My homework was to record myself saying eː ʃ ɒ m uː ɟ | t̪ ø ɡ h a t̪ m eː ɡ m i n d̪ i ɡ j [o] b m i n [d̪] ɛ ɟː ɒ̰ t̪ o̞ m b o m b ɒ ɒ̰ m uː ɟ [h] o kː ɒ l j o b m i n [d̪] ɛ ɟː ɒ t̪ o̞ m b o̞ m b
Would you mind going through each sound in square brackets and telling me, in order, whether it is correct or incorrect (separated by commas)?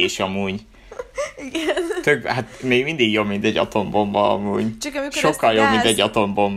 correct, incorrect, incorrect, incorrect